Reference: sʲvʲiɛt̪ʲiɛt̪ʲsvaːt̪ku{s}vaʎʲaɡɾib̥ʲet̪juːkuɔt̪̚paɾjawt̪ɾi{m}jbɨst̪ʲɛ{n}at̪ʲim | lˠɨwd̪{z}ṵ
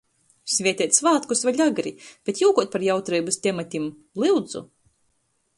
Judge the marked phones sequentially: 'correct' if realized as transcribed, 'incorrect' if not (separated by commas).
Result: correct, incorrect, incorrect, correct